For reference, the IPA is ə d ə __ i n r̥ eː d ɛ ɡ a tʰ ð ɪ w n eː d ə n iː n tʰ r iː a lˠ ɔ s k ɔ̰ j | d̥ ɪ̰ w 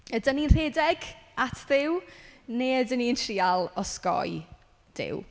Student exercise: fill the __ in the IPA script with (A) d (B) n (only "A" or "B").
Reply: B